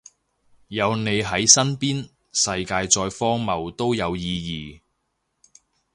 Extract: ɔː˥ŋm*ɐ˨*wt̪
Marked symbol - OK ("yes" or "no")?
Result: yes